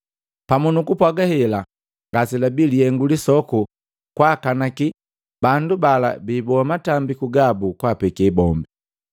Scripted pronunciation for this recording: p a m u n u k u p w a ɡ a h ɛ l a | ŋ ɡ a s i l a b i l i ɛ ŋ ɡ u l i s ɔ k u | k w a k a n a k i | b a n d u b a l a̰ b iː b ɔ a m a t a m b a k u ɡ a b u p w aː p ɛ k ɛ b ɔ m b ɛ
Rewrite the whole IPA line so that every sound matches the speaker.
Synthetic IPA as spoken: p a m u n u k u p w a ɡ a h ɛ l a | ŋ ɡ a s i l a b i l i ɛ ŋ ɡ u l i s ɔ k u | k w a k a n a k i | b a n d u b a l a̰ b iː b ɔ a m a t a m b i k u ɡ a b u k w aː p ɛ k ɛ b ɔ m b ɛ

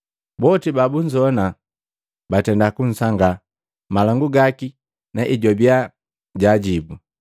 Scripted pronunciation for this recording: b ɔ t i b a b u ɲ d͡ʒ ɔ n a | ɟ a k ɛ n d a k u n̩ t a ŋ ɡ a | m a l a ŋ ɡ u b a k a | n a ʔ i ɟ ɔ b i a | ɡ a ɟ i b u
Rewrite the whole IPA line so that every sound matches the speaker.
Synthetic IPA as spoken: b ɔ t i b a b u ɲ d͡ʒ ɔ n a | b a t ɛ n d a k u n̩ s a ŋ ɡ a | m a l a ŋ ɡ u ɡ a k i | n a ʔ i ɟ ɔ b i a | ɟ a ɟ i b u

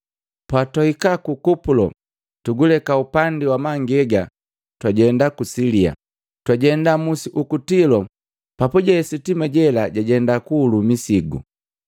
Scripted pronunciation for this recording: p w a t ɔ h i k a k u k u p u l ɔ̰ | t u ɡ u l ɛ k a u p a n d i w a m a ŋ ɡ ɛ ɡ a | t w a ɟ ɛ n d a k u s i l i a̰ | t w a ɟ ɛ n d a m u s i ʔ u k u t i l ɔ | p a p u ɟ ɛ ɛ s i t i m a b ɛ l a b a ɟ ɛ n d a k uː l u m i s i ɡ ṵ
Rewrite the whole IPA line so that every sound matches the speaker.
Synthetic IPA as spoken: p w a t ɔ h i k a k u k u p u l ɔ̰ | t u ɡ u l ɛ k a u p a n d i w a m a ŋ ɡ ɛ ɡ a | t w a ɟ ɛ n d a k u s i l i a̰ | t w a ɟ ɛ n d a m u s i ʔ u k u t i l ɔ | p a p u ɟ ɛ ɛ s i t i m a ɟ ɛ l a ɟ a ɟ ɛ n d a k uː l u m i s i ɡ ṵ

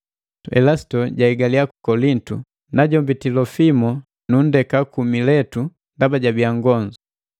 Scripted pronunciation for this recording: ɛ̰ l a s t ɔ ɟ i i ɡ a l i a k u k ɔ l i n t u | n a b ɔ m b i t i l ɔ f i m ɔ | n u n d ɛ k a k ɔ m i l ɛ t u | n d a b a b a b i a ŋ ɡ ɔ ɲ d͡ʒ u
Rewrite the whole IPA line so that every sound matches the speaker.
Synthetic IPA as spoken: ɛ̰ l a s t ɔ ɟ a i ɡ a l i a k u k ɔ l i n t u | n a ɟ ɔ m b i t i l ɔ f i m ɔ | n u n d ɛ k a k u m i l ɛ t u | n d a b a ɟ a b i a ŋ ɡ ɔ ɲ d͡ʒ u

